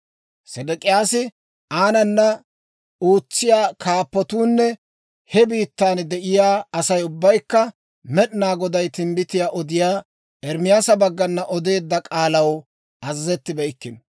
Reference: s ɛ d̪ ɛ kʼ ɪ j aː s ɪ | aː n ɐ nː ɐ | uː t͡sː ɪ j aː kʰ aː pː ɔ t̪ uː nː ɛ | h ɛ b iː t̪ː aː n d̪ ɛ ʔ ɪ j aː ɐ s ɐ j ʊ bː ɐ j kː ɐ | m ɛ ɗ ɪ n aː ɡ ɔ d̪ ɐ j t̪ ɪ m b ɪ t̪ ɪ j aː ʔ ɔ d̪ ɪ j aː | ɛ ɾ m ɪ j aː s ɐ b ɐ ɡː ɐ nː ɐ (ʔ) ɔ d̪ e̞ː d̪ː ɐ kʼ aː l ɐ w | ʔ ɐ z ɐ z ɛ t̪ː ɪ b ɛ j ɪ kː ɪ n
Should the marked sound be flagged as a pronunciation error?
no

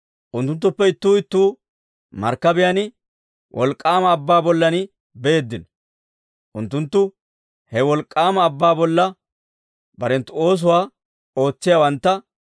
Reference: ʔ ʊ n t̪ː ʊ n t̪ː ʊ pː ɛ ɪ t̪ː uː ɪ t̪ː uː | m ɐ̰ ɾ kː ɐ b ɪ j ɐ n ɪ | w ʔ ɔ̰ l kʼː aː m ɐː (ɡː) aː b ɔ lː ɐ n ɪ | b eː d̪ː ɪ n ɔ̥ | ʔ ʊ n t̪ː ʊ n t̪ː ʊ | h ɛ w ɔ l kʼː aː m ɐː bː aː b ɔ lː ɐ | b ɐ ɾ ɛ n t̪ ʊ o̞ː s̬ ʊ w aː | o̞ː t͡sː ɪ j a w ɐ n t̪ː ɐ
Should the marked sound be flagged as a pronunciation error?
yes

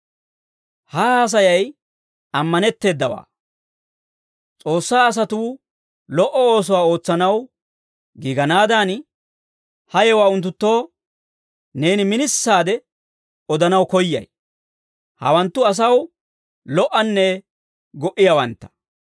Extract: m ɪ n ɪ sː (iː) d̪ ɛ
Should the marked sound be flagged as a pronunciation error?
yes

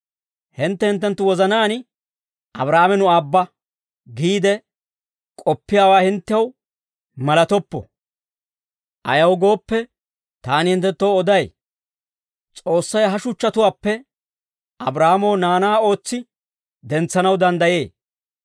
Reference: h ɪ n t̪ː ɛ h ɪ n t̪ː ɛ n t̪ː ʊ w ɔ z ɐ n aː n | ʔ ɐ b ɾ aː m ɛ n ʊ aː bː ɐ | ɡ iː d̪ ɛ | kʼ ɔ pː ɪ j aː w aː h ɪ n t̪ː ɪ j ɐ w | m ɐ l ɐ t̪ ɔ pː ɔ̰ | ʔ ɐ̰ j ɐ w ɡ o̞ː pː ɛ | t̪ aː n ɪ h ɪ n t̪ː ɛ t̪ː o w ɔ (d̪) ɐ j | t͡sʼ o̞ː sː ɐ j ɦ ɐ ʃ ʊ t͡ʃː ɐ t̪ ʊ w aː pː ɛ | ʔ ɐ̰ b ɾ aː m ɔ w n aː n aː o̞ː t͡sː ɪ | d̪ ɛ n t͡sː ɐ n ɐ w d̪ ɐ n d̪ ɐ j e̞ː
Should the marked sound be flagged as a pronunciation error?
no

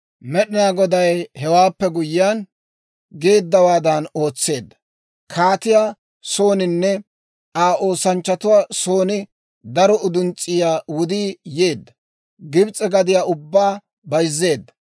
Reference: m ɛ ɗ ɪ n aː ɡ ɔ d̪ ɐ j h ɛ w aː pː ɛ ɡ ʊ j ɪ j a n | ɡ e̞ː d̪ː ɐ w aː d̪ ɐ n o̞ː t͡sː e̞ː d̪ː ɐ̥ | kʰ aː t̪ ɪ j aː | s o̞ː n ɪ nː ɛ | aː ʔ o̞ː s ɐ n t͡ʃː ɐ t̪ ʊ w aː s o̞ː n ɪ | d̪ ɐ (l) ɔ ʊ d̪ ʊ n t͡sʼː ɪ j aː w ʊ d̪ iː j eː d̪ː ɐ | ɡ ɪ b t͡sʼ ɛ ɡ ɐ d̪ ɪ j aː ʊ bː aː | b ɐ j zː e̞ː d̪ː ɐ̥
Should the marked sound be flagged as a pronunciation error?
yes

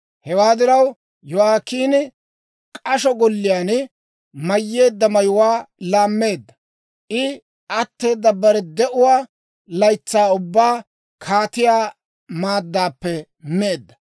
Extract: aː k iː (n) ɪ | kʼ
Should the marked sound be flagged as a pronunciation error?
no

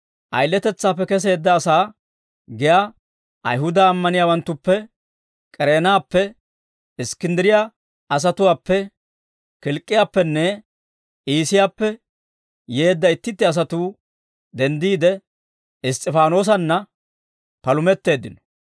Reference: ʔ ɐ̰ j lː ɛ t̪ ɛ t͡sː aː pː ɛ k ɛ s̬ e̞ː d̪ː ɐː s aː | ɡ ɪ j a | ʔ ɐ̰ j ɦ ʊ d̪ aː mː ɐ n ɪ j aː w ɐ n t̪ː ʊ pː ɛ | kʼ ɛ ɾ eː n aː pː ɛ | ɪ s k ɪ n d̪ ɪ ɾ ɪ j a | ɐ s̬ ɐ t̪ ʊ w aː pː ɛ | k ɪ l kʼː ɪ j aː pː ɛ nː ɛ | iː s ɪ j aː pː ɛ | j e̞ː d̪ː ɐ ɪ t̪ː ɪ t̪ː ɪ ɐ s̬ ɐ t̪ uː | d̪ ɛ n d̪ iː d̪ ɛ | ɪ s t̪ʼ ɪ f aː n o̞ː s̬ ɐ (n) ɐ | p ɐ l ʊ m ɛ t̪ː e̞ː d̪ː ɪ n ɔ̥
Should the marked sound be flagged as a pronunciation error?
yes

